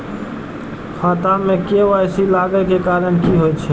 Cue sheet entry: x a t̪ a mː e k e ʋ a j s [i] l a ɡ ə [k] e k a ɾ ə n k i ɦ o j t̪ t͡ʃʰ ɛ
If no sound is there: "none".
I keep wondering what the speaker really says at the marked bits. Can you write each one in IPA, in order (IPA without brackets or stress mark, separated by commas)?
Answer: i, k